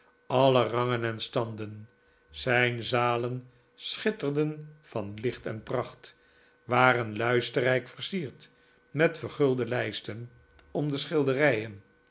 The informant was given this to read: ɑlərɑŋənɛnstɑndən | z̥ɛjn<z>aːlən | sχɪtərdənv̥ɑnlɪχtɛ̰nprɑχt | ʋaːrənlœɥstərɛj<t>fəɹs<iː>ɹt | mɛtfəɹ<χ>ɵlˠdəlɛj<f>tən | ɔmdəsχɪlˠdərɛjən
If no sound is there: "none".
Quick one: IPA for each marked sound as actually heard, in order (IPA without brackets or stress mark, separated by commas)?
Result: z, k, iː, χ, s